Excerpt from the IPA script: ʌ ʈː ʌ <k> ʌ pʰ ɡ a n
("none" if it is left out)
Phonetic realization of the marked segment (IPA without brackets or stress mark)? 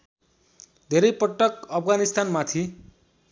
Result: k